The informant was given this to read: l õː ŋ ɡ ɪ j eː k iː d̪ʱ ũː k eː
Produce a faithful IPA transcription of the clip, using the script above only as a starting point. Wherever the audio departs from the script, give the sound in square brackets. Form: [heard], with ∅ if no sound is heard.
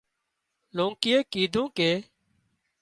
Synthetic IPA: l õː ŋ [k] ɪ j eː k iː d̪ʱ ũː k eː